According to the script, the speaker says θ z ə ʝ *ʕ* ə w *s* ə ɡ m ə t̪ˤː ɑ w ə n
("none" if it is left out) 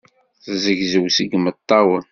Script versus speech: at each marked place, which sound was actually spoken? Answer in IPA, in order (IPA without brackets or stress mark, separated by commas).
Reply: z, s